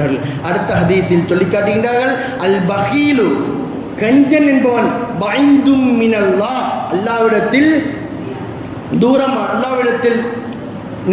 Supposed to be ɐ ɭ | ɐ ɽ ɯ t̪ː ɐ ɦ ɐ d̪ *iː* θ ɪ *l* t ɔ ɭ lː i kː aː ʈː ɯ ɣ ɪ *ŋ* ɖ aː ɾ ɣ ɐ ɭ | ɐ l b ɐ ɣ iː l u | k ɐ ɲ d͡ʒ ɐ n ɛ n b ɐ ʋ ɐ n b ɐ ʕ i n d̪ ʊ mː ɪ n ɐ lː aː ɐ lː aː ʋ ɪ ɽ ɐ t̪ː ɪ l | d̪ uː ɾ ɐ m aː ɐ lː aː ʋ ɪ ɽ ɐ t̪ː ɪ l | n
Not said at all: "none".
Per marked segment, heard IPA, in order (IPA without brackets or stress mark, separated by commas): iː, l, ɳ